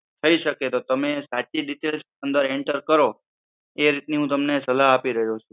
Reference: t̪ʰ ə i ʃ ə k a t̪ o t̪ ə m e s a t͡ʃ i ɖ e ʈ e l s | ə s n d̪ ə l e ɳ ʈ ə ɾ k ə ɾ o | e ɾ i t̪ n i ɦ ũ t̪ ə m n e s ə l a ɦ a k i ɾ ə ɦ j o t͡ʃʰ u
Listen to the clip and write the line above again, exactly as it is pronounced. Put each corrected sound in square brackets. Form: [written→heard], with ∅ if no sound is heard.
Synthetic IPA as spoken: t̪ʰ ə i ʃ ə k [a→e] t̪ o t̪ ə m e s a t͡ʃ i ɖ [e→i] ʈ e l s | ə [s→∅] n d̪ ə [l→ɾ] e ɳ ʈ ə ɾ k ə ɾ o | e ɾ i t̪ n i ɦ ũ t̪ ə m n e s ə l a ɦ a [k→p] i ɾ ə ɦ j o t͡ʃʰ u

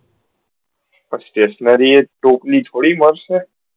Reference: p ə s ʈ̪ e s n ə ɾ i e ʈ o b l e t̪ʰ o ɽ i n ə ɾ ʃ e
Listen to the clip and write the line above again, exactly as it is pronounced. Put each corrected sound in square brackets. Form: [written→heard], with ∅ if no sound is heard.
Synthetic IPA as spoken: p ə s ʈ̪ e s n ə ɾ i e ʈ o [b→p] l [e→i] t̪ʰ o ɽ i [n→m] ə ɾ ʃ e

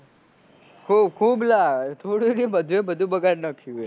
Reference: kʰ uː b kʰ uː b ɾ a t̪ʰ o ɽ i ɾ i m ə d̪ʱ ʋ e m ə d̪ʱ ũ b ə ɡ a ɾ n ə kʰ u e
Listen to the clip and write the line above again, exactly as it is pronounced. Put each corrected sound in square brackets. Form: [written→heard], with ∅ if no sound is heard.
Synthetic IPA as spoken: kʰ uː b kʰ uː b [ɾ→l] a t̪ʰ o ɽ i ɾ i m ə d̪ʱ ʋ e [m→b] ə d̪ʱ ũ b ə ɡ a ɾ n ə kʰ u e

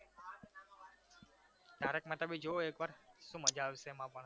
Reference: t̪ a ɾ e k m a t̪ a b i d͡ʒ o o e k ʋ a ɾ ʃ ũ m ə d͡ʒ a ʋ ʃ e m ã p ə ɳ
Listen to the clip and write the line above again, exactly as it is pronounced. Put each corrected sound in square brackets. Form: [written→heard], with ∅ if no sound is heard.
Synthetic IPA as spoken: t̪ a ɾ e k m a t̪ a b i d͡ʒ o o e k ʋ a ɾ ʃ ũ m ə d͡ʒ a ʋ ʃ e m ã p ə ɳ

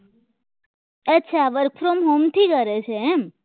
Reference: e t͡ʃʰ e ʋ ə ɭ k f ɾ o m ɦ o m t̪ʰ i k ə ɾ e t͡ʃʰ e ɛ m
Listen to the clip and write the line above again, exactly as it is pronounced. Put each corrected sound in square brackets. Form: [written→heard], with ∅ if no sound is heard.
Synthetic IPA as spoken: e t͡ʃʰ [e→a] ʋ ə [ɭ→ɾ] k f ɾ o m ɦ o m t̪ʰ i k ə ɾ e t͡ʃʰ e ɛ m

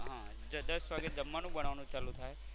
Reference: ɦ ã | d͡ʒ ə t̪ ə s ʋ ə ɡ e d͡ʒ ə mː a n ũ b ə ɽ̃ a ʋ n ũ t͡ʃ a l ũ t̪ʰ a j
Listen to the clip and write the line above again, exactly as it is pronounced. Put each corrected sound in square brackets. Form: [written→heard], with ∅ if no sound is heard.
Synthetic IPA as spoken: ɦ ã | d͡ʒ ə [t̪→d̪] ə s ʋ [ə→a] ɡ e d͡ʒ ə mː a n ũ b ə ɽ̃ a ʋ n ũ t͡ʃ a l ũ t̪ʰ a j

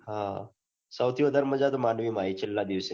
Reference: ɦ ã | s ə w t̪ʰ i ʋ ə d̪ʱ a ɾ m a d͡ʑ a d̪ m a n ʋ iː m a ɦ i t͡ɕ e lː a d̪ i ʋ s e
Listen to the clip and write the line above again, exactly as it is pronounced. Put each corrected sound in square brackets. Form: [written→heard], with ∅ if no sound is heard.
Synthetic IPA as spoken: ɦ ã | s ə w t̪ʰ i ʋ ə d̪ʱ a ɾ m [a→ə] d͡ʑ a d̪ m a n ʋ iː m a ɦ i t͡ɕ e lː a d̪ i ʋ s e

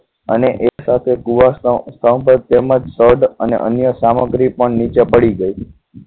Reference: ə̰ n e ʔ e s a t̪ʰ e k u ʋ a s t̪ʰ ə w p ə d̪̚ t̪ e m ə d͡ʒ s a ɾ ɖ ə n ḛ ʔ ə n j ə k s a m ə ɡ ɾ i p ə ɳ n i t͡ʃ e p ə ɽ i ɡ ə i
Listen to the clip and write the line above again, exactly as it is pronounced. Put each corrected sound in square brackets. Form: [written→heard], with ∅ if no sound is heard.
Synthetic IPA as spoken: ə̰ n e ʔ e s a t̪ʰ e k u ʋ a s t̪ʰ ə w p ə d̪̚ t̪ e m ə d͡ʒ s [a→ə] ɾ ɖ ə n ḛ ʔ ə n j ə [k→∅] s a m ə ɡ ɾ i p ə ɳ n i t͡ʃ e p ə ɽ i ɡ ə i

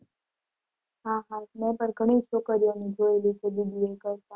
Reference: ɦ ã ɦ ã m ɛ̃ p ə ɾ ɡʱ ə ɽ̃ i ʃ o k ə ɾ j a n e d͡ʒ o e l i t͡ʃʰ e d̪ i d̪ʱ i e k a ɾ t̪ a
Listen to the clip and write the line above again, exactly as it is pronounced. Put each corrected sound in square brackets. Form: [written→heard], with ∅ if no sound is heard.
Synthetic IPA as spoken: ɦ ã ɦ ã m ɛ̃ p ə ɾ ɡʱ ə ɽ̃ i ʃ o k ə ɾ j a n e d͡ʒ o e l i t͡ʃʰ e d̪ i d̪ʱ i e k [a→ə] ɾ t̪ a

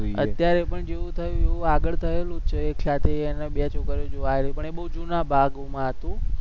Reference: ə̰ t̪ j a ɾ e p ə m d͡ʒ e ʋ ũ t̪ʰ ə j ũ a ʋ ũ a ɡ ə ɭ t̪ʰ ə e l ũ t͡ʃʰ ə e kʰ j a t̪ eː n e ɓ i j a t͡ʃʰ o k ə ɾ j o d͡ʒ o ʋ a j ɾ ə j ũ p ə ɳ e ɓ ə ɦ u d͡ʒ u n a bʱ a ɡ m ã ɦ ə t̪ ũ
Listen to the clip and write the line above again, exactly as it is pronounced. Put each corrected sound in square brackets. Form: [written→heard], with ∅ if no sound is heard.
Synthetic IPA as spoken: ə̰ t̪ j a ɾ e p ə [m→ɳ] d͡ʒ e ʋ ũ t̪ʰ ə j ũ [a→e] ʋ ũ a ɡ ə ɭ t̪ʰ ə e l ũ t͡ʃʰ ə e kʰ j a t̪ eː n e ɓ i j a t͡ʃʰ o k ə ɾ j o d͡ʒ o ʋ a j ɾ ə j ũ p ə ɳ e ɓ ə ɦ u d͡ʒ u n a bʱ a ɡ m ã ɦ ə t̪ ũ

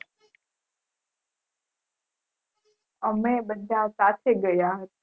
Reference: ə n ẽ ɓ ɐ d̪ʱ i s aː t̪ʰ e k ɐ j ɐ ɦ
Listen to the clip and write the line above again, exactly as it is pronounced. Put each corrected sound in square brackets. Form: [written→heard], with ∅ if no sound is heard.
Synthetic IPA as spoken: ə [n→m] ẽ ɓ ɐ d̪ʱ [i→a] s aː t̪ʰ e [k→ɡ] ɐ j [ɐ→a] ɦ

